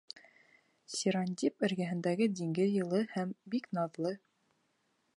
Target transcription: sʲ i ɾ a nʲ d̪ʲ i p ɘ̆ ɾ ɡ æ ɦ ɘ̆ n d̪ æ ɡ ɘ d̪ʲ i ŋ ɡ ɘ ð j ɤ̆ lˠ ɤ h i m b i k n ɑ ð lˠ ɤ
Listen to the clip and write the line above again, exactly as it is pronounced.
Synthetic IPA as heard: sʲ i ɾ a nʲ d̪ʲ i p ɘ̆ ɾ ɡ æ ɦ ɘ̆ n d̪ æ ɡ ɘ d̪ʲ i ŋ ɡ ɘ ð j ɤ̆ lˠ ɤ h æ m b i k n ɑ ð lˠ ɤ

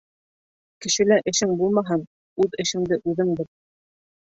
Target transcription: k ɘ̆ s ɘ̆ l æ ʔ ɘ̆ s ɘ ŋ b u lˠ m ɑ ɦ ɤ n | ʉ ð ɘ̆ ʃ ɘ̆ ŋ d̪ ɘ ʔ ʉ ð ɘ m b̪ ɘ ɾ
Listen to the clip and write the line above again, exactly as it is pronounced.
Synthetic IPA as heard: k ɘ̆ ʃ ɘ̆ l æ ʔ ɘ̆ ʃ ɘ ŋ b u lˠ m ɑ ɦ ɤ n | ʉ ð ɘ̆ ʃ ɘ̆ ŋ d̪ ɘ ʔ ʉ ð ɘ ŋ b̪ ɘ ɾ

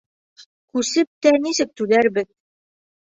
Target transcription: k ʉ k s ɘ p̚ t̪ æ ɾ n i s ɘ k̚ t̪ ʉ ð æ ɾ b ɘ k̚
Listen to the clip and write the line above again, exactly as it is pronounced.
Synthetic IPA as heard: k ʉ s ɘ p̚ t̪ æ n i s ɘ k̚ t̪ ʉ ð æ ɾ b ɘ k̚

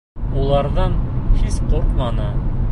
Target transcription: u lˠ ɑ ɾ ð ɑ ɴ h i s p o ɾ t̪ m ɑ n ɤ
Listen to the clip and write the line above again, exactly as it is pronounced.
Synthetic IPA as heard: u lˠ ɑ ɾ ð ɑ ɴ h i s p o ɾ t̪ m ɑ n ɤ

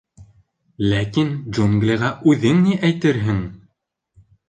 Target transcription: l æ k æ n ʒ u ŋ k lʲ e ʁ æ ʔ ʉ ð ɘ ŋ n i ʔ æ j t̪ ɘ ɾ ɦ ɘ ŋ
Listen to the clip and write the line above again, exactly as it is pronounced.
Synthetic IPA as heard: l æ k i n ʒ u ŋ ɡ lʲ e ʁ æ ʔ ʉ ð ɘ ŋ n i ʔ æ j t̪ ɘ ɾ ɦ ɘ ŋ

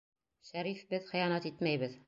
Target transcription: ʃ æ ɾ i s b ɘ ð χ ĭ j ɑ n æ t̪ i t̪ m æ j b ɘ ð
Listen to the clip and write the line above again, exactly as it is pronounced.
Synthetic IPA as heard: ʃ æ ɾ i f b ɘ ð χ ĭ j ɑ n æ t̪ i t̪ m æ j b ɘ ð

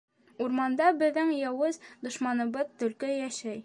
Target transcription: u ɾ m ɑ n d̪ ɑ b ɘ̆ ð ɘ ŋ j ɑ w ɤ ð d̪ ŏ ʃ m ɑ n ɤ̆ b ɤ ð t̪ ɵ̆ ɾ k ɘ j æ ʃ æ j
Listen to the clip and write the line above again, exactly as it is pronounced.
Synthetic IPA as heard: u ɾ m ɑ n d̪ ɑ b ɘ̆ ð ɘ ŋ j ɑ w ɤ z d̪ ŏ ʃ m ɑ n ɤ̆ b ɤ ð t̪ ɵ̆ l k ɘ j æ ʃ æ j

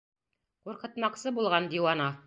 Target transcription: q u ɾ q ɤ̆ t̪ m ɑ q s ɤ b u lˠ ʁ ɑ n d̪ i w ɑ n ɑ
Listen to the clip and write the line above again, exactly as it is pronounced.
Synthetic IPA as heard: q u ɾ q ɤ̆ t̪ m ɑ q s ɤ b u lˠ ʁ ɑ n d̪ i w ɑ n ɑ

